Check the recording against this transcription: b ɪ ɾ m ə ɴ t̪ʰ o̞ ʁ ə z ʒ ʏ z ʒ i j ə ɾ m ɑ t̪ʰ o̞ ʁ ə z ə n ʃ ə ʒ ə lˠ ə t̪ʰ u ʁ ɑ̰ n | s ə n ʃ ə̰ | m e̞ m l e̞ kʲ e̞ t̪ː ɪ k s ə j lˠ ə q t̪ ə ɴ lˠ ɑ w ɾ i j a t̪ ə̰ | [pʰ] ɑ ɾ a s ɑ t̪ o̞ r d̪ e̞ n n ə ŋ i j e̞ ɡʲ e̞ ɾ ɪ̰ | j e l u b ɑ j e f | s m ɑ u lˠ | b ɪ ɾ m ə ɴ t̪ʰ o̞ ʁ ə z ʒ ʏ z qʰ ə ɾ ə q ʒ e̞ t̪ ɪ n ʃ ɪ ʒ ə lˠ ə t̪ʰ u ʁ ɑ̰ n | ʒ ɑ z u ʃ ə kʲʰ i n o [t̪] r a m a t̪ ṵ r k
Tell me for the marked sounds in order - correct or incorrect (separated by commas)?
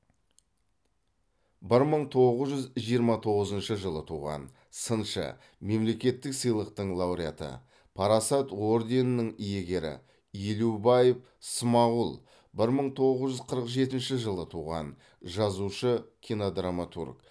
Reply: correct, incorrect